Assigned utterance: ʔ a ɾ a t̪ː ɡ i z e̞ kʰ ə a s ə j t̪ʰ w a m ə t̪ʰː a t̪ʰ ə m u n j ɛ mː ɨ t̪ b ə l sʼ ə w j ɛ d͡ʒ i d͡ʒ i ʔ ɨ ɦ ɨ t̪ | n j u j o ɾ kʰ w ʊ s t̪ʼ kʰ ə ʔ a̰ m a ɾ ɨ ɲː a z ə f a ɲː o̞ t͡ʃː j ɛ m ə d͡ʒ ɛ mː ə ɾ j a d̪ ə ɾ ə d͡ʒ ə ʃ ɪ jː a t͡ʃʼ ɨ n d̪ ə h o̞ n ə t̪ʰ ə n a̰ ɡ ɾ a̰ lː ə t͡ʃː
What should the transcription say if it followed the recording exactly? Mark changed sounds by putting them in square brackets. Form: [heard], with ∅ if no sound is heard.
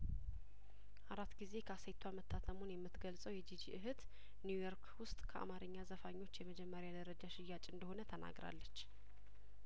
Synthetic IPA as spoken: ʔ a ɾ a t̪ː ɡ i z e̞ kʰ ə a s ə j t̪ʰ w a m ə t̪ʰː a t̪ʰ ə m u n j ɛ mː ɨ t̪ [ɡ] ə l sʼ ə w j ɛ d͡ʒ i d͡ʒ i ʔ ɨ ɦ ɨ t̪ | n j u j o ɾ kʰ w ʊ s t̪ʼ kʰ ə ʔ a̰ m a ɾ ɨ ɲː a z ə f a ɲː o̞ t͡ʃː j ɛ m ə d͡ʒ ɛ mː ə ɾ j a d̪ ə ɾ ə d͡ʒ [a] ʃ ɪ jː a t͡ʃʼ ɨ n d̪ ə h o̞ n ə t̪ʰ ə n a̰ ɡ ɾ a̰ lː ə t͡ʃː